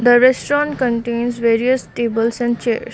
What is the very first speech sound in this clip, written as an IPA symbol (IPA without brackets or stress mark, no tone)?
d̪